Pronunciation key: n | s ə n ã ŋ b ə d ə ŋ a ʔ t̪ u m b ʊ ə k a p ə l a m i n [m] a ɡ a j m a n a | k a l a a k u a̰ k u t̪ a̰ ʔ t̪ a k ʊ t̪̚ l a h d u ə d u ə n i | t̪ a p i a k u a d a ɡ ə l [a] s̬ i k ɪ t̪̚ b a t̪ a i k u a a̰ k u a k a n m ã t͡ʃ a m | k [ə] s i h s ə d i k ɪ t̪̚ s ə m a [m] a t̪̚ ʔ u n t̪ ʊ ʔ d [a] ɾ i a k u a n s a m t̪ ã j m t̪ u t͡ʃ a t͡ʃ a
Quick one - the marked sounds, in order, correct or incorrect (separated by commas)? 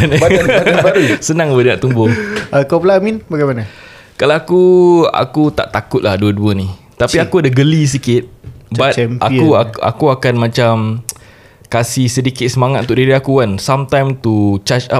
incorrect, incorrect, incorrect, incorrect, incorrect